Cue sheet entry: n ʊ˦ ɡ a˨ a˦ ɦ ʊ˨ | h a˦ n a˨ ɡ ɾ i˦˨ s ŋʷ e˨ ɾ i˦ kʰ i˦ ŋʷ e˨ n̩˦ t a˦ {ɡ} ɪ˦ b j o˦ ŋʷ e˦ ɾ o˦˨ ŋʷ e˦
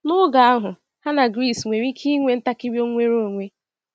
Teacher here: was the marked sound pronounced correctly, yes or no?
no